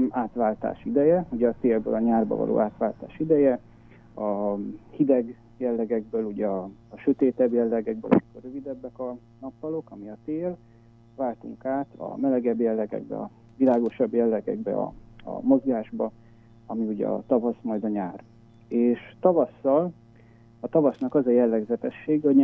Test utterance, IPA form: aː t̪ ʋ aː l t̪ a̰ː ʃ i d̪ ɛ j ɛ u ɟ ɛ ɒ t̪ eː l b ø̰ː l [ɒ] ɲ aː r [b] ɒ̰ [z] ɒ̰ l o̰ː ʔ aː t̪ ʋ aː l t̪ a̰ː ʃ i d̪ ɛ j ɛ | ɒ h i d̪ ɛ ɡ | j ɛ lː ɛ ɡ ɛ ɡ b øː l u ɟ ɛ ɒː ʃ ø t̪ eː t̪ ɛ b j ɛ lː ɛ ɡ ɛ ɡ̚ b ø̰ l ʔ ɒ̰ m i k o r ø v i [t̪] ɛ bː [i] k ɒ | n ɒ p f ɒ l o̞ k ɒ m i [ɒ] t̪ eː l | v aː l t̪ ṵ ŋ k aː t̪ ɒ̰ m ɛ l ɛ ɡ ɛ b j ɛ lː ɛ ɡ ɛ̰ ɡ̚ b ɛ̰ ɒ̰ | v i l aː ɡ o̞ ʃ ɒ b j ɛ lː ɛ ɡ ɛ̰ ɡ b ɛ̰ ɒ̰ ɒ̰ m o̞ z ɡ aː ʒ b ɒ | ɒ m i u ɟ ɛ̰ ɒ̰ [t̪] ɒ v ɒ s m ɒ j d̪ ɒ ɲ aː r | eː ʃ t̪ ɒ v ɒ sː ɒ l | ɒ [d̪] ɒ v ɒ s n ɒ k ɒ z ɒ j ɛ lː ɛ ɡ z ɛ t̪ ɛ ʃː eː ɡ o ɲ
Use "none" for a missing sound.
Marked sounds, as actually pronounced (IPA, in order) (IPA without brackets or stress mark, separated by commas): ɒ, b, v, d̪, ɛ, ɒ, t̪, t̪